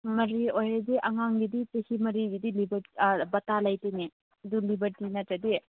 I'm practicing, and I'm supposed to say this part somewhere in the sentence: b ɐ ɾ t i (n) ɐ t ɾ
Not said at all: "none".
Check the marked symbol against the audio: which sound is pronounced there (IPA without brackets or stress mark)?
n